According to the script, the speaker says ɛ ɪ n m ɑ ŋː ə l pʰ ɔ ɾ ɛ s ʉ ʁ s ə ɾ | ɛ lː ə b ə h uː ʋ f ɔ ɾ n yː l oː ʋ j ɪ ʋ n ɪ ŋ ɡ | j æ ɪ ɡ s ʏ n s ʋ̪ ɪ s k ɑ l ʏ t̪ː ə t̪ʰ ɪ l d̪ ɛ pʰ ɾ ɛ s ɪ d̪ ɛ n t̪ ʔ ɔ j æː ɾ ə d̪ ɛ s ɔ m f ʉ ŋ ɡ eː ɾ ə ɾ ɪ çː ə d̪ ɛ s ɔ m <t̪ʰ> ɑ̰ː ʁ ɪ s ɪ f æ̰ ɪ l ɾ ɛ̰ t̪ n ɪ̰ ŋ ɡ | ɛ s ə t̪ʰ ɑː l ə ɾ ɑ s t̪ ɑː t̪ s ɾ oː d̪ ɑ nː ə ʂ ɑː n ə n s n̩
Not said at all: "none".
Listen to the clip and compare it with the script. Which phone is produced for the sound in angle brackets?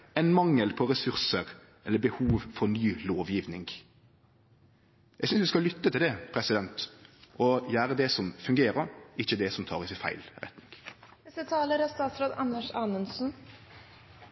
t̪ʰ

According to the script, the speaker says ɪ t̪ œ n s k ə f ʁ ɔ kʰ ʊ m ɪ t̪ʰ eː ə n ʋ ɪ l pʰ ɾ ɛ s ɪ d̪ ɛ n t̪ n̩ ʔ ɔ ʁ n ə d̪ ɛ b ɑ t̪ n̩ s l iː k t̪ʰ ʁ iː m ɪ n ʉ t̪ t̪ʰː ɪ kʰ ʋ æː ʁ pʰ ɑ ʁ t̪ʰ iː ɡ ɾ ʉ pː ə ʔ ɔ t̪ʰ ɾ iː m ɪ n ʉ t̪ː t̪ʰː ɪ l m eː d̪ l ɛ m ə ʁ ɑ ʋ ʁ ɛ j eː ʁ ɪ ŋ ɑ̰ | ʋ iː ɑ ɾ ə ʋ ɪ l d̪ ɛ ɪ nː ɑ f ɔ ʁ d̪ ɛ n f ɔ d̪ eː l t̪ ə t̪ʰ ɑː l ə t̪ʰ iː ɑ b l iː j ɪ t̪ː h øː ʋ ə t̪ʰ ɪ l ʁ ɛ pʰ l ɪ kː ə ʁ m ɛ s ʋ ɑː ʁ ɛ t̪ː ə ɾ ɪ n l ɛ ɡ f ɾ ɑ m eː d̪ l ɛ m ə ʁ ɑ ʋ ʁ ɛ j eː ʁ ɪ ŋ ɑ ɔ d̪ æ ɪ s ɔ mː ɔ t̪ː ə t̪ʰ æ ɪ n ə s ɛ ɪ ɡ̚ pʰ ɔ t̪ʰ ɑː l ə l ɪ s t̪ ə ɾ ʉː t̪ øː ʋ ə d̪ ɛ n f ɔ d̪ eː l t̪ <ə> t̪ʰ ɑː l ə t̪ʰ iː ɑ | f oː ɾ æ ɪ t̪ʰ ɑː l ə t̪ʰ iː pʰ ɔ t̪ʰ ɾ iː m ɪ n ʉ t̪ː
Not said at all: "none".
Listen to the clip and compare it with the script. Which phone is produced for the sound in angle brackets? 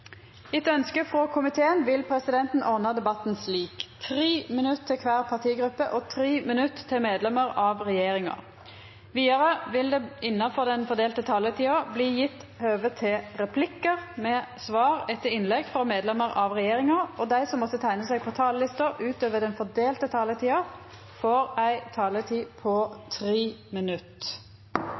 ə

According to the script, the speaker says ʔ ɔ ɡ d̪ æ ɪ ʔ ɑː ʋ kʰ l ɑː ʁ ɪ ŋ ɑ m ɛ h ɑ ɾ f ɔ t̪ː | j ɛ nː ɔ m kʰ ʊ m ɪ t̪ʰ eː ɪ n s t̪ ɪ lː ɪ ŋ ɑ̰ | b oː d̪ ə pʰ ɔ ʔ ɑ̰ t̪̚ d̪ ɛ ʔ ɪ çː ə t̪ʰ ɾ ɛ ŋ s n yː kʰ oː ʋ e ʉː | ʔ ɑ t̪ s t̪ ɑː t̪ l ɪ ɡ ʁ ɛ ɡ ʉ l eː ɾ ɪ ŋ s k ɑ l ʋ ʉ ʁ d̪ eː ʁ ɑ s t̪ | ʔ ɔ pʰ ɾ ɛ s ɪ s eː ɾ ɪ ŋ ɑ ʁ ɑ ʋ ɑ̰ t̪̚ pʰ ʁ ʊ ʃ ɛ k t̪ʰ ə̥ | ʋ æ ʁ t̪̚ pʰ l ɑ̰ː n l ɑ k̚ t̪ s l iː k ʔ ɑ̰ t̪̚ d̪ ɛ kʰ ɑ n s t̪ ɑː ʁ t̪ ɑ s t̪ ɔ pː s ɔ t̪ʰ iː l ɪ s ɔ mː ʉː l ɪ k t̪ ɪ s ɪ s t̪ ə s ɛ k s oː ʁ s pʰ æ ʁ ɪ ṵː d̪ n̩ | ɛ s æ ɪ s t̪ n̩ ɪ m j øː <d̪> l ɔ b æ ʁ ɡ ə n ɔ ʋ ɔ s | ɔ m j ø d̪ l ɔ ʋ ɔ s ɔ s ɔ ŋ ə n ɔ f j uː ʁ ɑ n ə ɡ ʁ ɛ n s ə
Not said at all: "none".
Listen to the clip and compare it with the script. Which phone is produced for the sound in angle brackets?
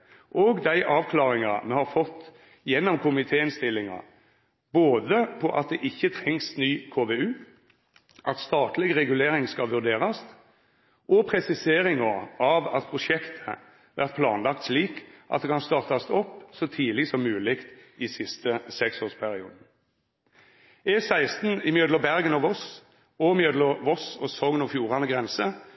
d̪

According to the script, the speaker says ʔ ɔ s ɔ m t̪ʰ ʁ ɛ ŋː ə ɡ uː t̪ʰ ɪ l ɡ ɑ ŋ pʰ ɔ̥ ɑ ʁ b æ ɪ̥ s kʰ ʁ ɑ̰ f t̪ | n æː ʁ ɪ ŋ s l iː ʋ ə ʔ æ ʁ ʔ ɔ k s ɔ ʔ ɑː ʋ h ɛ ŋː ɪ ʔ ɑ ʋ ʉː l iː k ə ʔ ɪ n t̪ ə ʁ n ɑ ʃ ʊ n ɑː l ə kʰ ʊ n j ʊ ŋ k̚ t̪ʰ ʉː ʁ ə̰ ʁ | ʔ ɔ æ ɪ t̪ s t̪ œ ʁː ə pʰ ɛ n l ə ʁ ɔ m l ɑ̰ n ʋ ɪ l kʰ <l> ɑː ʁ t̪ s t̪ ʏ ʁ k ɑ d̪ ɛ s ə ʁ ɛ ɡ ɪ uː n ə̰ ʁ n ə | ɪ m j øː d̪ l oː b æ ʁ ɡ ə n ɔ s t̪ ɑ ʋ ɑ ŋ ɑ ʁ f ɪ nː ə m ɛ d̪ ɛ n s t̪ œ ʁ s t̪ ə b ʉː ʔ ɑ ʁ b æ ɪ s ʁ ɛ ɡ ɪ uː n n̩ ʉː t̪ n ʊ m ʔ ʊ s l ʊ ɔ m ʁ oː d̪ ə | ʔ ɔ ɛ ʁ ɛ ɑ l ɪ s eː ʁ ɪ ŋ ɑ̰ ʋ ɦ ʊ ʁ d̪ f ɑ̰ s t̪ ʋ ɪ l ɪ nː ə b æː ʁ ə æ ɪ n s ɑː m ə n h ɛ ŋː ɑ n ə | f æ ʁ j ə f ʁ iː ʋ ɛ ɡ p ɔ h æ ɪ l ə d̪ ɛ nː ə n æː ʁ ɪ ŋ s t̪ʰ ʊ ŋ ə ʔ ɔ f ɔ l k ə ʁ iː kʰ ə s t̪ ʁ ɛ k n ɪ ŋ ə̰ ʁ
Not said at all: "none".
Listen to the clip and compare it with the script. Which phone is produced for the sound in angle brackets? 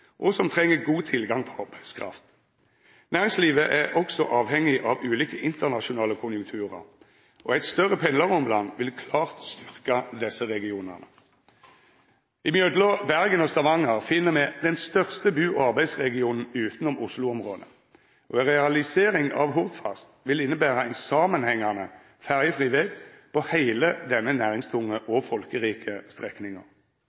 l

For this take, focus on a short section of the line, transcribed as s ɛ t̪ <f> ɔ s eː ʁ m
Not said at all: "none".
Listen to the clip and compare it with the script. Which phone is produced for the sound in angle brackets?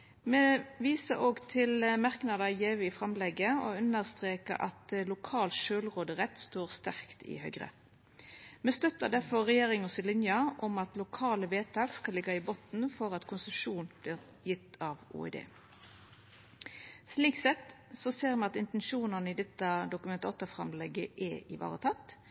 s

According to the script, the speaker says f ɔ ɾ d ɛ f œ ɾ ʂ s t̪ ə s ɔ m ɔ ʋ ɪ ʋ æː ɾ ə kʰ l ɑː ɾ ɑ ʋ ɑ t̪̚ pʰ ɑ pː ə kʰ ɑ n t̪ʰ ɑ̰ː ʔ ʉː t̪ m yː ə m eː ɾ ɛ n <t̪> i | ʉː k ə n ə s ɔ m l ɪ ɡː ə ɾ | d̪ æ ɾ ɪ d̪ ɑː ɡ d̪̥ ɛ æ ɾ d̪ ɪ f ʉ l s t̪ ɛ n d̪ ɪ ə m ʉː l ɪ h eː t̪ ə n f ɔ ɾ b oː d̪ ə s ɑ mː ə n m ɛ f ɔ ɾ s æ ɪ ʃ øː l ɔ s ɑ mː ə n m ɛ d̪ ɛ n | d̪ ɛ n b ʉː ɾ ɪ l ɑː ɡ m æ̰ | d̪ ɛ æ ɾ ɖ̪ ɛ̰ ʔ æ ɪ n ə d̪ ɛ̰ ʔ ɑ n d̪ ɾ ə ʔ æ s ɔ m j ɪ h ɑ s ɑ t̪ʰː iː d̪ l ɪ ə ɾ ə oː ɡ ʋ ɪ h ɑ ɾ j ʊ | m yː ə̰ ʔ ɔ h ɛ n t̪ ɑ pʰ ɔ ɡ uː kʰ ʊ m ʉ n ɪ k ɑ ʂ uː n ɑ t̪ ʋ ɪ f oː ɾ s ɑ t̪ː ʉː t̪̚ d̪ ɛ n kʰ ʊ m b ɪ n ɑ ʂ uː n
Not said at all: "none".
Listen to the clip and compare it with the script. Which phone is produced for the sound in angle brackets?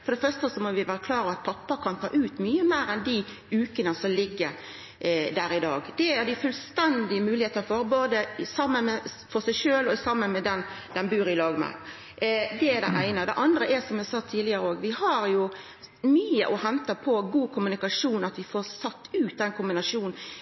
d̪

